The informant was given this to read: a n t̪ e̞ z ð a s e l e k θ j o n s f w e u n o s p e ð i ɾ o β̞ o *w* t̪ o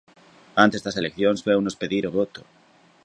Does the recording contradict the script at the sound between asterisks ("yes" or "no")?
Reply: yes